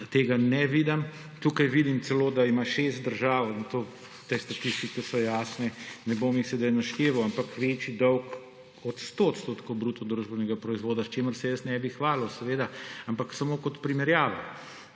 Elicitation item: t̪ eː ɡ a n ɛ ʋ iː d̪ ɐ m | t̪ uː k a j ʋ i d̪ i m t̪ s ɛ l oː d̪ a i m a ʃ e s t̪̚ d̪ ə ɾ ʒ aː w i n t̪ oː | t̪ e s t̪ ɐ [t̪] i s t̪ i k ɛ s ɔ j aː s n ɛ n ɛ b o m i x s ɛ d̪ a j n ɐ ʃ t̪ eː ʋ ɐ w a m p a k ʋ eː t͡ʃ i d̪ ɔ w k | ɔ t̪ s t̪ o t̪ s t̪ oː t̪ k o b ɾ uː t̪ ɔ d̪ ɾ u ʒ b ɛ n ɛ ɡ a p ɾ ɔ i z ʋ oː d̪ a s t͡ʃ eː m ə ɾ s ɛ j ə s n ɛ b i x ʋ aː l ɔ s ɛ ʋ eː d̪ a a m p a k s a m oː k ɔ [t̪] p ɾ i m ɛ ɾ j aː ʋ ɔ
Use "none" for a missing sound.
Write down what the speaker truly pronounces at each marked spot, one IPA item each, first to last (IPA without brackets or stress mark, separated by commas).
t̪, t̪